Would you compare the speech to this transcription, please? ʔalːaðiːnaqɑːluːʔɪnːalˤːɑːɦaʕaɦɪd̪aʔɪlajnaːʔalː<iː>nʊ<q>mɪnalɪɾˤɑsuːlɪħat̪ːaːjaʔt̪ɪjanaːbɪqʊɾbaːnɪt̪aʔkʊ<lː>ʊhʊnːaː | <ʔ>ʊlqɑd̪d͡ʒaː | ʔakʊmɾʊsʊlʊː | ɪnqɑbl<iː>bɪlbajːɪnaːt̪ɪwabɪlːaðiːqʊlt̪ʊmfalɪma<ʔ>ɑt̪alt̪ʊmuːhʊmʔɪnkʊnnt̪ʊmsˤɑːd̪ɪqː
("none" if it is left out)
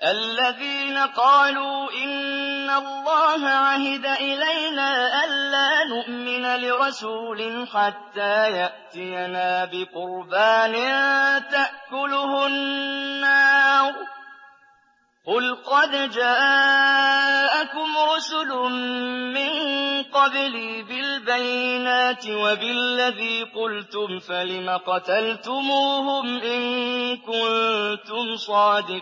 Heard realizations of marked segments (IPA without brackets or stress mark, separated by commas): aː, ʔ, l, q, iː, q